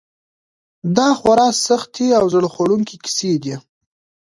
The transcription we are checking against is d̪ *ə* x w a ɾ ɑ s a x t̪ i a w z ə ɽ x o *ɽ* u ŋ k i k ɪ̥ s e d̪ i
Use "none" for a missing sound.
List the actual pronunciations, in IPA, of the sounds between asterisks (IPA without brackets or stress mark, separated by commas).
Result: ɑ, ɽ